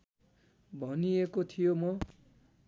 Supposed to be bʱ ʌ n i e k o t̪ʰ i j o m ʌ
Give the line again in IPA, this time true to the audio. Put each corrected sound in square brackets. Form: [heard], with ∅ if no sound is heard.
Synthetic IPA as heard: bʱ ʌ n i e k o t̪ʰ i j o m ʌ